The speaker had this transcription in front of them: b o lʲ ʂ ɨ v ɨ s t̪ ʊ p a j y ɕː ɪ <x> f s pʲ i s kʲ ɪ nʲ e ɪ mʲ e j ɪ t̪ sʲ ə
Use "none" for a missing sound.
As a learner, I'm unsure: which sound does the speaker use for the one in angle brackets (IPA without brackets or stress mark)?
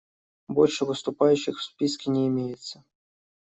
x